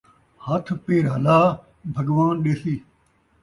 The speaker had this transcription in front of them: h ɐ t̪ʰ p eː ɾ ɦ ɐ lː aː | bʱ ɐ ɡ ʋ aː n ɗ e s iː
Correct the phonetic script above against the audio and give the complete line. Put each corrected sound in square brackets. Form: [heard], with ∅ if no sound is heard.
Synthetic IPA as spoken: h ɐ t̪ʰ p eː ɾ ɦ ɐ [l] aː | bʱ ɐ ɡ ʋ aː n ɗ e s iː